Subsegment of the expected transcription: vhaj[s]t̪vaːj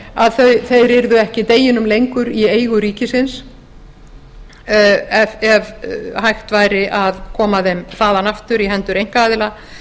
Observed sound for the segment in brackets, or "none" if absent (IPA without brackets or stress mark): x